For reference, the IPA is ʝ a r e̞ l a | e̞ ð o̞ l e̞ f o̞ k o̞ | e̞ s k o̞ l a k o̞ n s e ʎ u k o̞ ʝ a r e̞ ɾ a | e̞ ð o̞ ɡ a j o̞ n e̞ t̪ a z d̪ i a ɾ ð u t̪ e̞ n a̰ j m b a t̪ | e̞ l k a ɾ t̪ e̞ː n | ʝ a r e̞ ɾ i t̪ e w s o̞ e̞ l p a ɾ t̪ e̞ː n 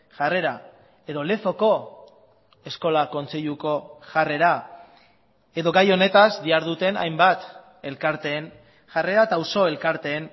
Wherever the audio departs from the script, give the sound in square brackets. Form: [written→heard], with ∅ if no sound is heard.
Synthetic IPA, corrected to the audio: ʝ a r e̞ [l→ɾ] a | e̞ ð o̞ l e̞ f o̞ k o̞ | e̞ s k o̞ l a k o̞ n [s→t͡s] e ʎ u k o̞ ʝ a r e̞ ɾ a | e̞ ð o̞ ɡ a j o̞ n e̞ t̪ a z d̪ i a ɾ ð u t̪ e̞ n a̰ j m b a t̪ | e̞ l k a ɾ t̪ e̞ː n | ʝ a r e̞ ɾ [i→a] t̪ [e→a] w s o̞ e̞ l [p→k] a ɾ t̪ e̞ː n